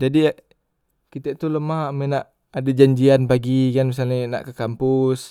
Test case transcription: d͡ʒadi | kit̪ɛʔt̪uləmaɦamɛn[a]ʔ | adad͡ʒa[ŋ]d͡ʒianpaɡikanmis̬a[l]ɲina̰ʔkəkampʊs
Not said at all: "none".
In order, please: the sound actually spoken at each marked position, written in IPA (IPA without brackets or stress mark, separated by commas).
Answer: a, ɲ, l